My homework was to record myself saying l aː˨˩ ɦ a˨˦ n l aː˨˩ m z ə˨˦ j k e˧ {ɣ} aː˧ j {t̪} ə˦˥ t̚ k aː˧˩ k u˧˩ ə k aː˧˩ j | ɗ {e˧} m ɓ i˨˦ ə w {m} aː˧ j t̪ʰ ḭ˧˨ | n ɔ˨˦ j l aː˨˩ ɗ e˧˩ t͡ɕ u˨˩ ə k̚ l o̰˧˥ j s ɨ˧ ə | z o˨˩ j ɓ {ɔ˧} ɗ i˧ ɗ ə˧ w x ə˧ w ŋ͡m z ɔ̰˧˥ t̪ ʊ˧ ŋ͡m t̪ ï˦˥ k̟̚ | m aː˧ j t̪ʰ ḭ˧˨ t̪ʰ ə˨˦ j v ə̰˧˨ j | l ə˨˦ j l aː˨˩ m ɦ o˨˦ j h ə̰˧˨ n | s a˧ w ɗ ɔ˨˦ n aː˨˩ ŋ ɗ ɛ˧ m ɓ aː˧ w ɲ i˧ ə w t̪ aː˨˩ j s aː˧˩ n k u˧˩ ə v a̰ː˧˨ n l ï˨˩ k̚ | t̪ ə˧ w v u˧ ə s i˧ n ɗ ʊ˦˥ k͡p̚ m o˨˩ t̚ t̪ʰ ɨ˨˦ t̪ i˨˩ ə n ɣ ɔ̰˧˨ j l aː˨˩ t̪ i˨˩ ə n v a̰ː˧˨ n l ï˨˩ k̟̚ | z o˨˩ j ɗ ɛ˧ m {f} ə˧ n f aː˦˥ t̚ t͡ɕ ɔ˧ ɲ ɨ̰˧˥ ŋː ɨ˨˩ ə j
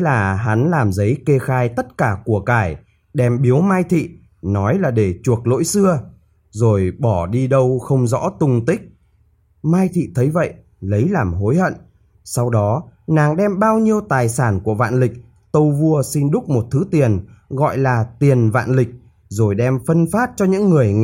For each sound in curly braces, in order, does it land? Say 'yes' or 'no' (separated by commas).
no, yes, no, yes, no, yes